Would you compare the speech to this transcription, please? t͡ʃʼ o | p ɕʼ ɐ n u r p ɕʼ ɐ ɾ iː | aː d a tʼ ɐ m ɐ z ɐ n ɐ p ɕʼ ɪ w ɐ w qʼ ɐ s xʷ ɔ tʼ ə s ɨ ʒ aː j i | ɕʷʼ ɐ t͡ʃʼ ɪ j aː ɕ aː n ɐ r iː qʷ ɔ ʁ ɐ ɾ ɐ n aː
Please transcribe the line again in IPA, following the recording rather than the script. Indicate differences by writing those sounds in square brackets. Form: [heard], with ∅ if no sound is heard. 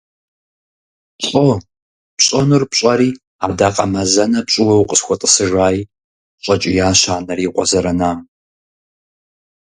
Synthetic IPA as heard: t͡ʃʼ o | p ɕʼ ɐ n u r p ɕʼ ɐ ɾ iː | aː d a [qʼ] ɐ m ɐ z ɐ n ɐ p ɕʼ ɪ w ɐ w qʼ [ə] s xʷ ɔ tʼ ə s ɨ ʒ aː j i | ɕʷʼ ɐ t͡ʃʼ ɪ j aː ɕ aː n ɐ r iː qʷ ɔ [z] ɐ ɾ ɐ n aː